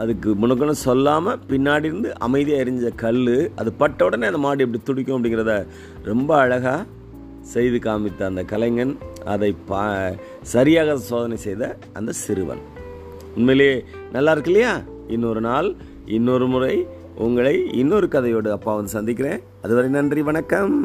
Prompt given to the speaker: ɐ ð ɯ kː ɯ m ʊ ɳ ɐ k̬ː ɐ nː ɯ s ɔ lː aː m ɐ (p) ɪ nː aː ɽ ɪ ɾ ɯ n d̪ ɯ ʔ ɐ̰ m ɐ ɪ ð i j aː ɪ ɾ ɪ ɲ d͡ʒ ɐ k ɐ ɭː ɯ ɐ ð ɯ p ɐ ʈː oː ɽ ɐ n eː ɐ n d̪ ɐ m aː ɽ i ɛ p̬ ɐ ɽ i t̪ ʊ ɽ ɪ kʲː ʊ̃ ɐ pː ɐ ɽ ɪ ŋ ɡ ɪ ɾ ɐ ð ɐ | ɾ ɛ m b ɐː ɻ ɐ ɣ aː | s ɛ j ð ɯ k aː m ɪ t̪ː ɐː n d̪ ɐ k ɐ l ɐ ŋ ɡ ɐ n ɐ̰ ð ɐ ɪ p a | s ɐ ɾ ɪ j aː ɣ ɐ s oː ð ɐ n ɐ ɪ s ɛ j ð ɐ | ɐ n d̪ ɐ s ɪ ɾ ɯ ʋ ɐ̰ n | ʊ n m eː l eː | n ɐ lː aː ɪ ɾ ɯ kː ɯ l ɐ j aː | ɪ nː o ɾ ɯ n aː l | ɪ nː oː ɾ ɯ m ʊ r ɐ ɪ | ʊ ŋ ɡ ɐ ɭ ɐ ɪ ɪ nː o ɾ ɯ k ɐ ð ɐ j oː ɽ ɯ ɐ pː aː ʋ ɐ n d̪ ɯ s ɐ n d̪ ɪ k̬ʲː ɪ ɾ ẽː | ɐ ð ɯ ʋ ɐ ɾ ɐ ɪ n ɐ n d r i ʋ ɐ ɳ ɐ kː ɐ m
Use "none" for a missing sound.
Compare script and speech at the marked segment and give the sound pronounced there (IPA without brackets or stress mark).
p